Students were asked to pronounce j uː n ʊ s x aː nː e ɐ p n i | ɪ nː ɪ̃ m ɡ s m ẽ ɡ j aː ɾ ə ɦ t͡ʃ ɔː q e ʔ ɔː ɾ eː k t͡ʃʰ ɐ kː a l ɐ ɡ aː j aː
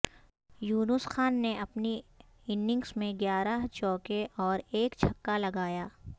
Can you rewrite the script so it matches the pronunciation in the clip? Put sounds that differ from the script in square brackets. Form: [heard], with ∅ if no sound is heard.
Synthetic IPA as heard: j uː n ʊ s x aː nː e ɐ p n i | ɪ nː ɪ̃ [ŋ] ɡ s m ẽ ɡ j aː ɾ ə ɦ t͡ʃ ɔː [k] e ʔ ɔː ɾ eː k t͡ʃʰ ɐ kː a l ɐ ɡ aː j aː